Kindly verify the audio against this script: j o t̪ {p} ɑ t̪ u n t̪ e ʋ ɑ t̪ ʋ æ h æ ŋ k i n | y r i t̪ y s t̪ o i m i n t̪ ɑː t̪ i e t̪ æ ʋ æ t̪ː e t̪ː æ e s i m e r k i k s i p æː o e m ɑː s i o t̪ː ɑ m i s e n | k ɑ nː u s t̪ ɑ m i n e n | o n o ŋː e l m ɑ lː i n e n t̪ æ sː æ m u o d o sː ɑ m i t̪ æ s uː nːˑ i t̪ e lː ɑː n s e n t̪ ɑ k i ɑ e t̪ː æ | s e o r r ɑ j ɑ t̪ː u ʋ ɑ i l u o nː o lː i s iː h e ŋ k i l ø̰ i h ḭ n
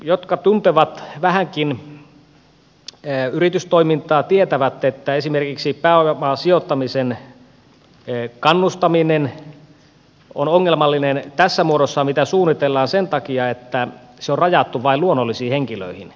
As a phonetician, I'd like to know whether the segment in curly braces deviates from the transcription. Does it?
yes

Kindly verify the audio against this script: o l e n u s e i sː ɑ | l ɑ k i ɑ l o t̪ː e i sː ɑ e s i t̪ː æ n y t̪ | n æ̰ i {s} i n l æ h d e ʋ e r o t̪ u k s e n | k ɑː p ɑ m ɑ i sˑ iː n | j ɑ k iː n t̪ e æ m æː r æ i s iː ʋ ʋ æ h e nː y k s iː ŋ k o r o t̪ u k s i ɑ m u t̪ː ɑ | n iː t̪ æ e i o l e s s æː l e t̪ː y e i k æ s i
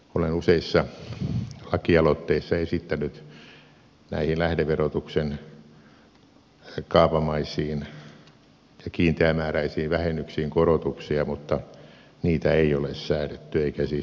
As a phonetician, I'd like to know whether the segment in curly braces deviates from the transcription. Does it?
yes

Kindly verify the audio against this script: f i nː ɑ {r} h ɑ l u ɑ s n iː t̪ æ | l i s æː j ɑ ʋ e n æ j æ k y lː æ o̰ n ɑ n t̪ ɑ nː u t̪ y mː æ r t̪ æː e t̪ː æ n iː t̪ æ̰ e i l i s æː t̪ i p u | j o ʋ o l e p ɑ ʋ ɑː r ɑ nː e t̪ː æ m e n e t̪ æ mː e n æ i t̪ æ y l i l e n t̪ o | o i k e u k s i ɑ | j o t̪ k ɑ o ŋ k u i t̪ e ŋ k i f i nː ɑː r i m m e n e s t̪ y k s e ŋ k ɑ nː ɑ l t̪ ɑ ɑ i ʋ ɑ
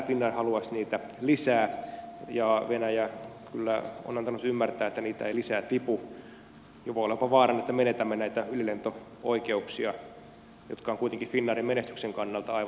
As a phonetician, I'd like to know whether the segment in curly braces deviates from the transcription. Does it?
no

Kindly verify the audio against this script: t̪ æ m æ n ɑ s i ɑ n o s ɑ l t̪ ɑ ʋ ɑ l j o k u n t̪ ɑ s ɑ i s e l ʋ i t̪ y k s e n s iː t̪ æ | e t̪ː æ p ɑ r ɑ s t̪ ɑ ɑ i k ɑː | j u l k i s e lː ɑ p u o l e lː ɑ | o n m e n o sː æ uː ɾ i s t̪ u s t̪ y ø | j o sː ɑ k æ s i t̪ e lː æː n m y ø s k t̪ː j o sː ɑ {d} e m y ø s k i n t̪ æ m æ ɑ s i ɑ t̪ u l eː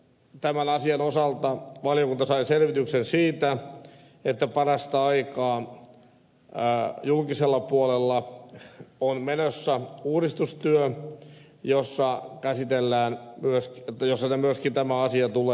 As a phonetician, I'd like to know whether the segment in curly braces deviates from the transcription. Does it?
yes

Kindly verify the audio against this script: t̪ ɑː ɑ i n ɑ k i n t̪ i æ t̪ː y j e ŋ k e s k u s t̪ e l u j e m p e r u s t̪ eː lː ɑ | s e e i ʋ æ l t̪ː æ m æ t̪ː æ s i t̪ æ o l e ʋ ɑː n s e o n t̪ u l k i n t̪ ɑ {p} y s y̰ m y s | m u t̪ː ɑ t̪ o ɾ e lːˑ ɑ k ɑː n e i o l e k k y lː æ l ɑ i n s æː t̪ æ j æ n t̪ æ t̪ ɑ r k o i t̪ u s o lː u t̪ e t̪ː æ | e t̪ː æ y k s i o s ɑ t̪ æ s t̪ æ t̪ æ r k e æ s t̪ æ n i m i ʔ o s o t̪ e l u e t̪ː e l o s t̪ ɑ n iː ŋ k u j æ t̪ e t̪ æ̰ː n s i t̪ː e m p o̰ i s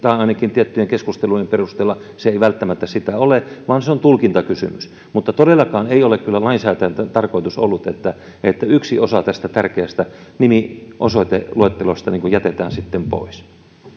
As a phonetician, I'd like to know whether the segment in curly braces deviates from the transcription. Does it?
yes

